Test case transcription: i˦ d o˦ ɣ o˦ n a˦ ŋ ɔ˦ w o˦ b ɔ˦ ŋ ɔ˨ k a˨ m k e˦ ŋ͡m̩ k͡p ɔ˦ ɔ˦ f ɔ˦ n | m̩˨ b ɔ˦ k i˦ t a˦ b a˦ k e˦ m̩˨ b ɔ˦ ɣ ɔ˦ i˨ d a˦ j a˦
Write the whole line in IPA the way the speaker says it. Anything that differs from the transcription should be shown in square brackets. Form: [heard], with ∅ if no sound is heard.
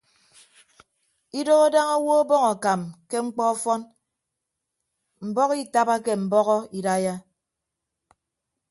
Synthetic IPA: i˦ d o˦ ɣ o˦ [d] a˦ ŋ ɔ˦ w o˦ b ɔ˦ ŋ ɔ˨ k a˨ m k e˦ ŋ͡m̩ k͡p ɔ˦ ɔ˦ f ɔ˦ n | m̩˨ b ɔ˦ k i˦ t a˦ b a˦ k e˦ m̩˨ b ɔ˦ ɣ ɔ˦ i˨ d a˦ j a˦